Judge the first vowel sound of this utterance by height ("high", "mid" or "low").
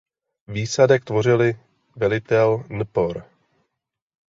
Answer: high